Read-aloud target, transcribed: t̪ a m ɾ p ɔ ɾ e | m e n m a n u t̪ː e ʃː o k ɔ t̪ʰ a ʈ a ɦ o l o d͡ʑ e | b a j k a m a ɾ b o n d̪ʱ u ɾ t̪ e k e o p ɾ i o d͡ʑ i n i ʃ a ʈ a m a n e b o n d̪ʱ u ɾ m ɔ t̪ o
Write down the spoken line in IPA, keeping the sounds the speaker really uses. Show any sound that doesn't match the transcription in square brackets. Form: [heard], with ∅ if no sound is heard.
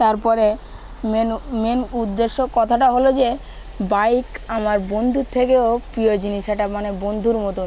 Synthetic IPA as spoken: t̪ a [∅] ɾ p ɔ ɾ e | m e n m [e] n u [d̪ː] e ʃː o k ɔ t̪ʰ a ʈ a ɦ o l o d͡ʑ e | b a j k a m a ɾ b o n d̪ʱ u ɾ [t̪ʰ] e k e o p ɾ i o d͡ʑ i n i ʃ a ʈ a m a n e b o n d̪ʱ u ɾ m ɔ t̪ o